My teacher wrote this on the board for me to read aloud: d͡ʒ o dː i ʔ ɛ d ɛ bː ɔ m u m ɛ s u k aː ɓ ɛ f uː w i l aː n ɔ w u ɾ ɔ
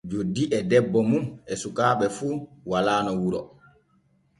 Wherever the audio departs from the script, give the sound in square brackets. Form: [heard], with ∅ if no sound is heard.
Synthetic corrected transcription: d͡ʒ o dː i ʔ ɛ d ɛ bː ɔ m u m ɛ s u k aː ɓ ɛ f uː w [a] l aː n ɔ w u ɾ ɔ